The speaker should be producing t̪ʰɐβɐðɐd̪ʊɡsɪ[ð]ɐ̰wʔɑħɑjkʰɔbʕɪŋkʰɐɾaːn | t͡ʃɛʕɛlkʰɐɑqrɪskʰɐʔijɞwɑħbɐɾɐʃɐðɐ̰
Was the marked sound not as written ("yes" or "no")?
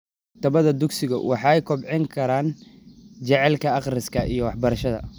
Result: yes